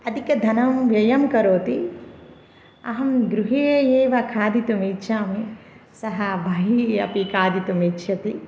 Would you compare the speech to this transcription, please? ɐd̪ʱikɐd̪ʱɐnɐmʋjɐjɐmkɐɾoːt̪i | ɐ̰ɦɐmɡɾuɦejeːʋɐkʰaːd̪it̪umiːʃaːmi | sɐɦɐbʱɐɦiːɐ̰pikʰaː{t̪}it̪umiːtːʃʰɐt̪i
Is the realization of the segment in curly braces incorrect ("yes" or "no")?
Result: yes